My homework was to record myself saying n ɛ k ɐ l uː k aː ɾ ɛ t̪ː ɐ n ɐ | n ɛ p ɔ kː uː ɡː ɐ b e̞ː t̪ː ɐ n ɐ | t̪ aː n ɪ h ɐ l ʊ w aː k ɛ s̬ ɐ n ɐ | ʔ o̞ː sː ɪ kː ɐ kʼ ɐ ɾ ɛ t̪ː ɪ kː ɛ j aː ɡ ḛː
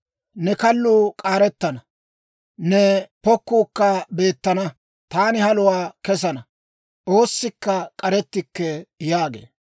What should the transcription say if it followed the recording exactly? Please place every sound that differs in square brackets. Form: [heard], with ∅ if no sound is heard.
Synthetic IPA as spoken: n ɛ k ɐ [lː] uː [kʼ] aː ɾ ɛ t̪ː ɐ n ɐ | n ɛ p ɔ kː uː [kː] ɐ b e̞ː t̪ː ɐ n ɐ | t̪ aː n ɪ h ɐ l ʊ w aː k ɛ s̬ ɐ n ɐ | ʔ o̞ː sː ɪ kː ɐ kʼ ɐ ɾ ɛ t̪ː ɪ kː ɛ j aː ɡ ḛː